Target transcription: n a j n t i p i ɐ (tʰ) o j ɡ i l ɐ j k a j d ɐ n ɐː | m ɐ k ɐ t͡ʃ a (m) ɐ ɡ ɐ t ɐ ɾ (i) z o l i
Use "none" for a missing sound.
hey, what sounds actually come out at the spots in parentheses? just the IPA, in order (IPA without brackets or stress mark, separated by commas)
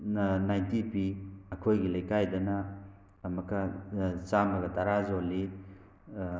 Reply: kʰ, m, a